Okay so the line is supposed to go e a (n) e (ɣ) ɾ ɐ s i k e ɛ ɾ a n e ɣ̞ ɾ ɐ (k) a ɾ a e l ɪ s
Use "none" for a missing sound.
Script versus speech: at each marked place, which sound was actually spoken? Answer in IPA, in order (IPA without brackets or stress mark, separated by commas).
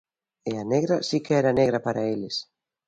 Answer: n, ɣ, p